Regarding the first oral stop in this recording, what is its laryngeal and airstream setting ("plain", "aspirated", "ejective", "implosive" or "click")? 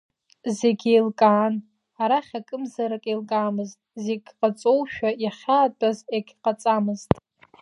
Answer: plain